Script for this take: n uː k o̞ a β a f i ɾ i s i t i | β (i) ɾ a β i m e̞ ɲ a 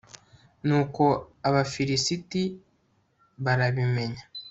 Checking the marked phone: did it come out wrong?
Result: yes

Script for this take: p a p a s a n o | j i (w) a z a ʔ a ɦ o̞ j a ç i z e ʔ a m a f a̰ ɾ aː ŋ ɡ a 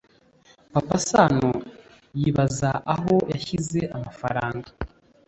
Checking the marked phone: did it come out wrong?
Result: yes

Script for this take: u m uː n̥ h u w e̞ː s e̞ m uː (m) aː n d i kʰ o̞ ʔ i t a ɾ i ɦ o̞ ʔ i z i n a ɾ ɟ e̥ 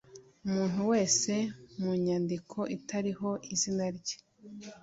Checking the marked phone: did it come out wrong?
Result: yes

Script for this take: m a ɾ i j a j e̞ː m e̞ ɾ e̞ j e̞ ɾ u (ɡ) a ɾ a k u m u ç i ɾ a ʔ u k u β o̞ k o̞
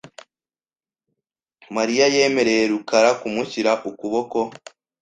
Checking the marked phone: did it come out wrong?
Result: yes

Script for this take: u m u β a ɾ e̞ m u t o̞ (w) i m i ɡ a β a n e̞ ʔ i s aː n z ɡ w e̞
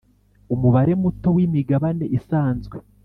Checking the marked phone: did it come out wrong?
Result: no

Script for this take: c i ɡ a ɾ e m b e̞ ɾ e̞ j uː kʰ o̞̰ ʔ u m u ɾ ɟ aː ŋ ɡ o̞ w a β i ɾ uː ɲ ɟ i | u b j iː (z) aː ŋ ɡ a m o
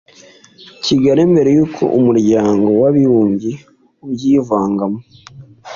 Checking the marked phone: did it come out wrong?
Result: yes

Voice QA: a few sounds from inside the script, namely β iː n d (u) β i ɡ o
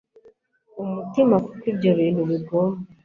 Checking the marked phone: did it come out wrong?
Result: no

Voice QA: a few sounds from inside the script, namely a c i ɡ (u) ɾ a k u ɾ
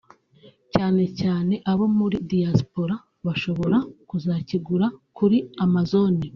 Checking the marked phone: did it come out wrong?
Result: no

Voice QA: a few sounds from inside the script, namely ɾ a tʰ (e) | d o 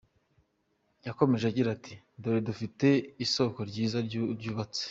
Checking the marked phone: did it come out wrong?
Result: yes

